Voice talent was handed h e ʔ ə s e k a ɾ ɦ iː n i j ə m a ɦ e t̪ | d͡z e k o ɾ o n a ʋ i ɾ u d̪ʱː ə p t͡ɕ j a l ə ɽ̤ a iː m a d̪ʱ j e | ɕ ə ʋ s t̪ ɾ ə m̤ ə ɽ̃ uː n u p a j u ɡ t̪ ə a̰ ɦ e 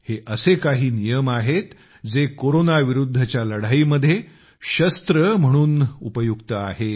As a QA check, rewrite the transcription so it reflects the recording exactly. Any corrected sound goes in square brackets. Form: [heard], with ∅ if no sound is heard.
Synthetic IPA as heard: h e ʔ ə s e k a [∅] ɦ iː n i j ə m a ɦ e t̪ | d͡z e k o ɾ o n a ʋ i ɾ u d̪ʱː ə [∅] t͡ɕ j a l ə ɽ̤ a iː m [ə] d̪ʱ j e | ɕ ə [∅] s t̪ ɾ ə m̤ ə ɽ̃ uː n u p [ə] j u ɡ t̪ ə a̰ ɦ e